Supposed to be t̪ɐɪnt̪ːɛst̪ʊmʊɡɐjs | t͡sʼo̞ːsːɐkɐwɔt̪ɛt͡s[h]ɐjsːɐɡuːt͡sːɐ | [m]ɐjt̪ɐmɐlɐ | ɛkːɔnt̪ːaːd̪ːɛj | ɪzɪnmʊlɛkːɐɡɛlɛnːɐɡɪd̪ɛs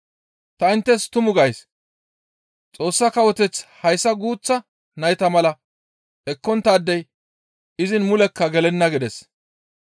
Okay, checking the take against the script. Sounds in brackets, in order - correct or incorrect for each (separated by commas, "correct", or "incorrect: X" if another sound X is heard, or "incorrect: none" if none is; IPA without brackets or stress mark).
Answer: correct, incorrect: n